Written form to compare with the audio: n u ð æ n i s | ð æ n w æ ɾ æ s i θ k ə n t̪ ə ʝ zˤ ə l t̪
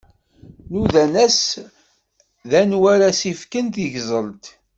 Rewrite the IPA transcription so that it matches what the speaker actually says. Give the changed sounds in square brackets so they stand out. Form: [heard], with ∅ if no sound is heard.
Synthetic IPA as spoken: n u ð æ n [æ] s | ð æ n w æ ɾ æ s i [f] k ə n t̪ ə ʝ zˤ ə l t̪

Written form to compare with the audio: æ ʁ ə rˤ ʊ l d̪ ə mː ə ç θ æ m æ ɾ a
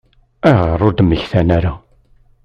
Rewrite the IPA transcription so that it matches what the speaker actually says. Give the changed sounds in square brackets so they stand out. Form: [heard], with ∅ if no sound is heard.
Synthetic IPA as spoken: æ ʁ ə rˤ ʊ [ɾ] d̪ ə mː ə ç θ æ [n] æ ɾ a

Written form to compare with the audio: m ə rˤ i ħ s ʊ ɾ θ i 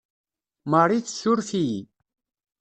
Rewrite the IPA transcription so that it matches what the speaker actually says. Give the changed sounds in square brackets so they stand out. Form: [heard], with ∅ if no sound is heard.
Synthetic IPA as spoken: m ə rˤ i [θ] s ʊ ɾ [f] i

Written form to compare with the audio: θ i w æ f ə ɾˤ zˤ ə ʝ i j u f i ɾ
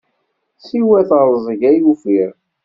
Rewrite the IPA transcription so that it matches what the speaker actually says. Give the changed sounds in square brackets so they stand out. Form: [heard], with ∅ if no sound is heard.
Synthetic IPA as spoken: [s] i w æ [θ] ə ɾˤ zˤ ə ʝ [æ] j u f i ɾ

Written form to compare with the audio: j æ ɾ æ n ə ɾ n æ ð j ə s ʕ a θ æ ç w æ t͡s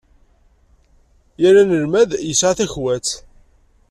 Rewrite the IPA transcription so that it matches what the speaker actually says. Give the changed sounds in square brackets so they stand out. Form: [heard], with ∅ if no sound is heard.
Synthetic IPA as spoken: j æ ɾ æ n ə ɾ [m] æ ð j ə s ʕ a θ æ ç w æ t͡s

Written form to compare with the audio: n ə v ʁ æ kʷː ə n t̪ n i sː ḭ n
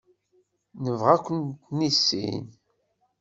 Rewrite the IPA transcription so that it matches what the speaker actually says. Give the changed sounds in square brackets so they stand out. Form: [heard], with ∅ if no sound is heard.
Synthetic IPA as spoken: n ə v ʁ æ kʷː ə n t̪ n i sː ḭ n

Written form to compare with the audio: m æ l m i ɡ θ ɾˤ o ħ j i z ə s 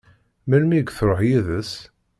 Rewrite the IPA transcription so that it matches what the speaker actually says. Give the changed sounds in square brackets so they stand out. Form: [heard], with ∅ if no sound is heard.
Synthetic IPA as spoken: m æ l m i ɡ θ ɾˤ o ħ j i [ð] ə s

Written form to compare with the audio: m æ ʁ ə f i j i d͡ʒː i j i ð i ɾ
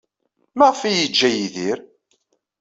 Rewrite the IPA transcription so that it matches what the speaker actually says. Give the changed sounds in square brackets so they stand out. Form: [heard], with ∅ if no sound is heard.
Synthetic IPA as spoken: m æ ʁ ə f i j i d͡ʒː [æ] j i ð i ɾ

